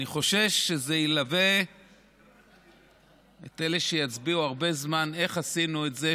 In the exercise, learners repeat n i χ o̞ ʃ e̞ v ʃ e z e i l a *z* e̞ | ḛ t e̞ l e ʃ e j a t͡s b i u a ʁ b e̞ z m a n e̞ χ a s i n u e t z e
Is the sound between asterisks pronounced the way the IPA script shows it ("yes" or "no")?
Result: no